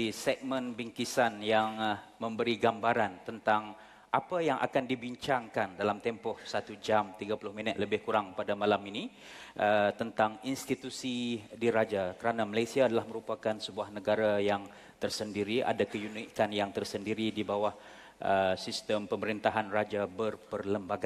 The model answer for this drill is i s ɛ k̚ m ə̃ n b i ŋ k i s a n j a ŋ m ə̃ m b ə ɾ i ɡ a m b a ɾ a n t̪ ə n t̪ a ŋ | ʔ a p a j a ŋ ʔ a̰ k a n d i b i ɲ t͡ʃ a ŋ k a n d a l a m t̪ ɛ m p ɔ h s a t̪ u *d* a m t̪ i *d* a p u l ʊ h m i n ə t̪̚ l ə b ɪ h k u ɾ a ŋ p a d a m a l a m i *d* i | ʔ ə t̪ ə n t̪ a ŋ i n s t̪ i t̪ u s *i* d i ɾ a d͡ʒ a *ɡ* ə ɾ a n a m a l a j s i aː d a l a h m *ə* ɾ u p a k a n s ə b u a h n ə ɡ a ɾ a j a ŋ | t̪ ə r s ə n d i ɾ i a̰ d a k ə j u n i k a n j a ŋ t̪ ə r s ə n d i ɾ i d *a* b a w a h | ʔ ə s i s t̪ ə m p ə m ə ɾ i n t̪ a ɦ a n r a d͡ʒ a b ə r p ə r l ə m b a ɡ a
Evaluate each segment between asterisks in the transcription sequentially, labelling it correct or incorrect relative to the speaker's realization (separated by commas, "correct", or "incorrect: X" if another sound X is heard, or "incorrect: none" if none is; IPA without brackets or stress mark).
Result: incorrect: d͡ʒ, incorrect: ɡ, incorrect: n, correct, incorrect: k, correct, incorrect: i